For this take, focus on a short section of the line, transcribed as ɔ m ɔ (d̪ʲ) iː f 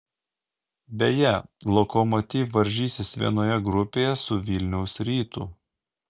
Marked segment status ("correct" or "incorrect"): incorrect